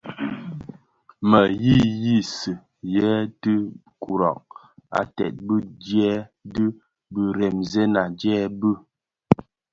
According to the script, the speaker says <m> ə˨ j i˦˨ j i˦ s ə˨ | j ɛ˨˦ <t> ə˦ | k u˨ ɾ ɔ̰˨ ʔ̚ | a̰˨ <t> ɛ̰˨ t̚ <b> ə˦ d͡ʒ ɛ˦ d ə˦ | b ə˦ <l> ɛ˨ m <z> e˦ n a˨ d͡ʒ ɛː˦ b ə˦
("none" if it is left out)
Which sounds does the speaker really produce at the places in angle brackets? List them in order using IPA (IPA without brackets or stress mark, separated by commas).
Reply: m, t, t, b, ɾ, z